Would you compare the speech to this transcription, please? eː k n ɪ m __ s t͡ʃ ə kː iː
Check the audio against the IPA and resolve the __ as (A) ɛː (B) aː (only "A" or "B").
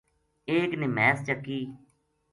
A